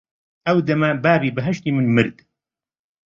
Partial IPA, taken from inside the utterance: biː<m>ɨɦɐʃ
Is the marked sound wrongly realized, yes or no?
yes